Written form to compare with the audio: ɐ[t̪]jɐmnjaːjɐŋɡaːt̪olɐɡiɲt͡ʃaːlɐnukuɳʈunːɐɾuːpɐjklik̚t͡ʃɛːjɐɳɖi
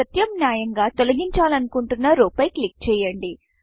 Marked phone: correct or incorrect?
correct